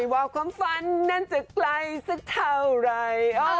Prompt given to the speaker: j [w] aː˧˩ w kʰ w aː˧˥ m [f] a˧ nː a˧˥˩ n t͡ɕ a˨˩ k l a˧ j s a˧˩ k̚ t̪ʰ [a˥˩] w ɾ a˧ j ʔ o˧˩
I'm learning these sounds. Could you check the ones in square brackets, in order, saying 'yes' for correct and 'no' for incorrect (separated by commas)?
yes, yes, no